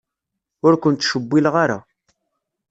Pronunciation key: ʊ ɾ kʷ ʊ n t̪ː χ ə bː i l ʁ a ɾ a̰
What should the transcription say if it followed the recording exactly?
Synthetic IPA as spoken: ʊ ɾ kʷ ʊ n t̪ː ʃ ə bː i l ʁ a ɾ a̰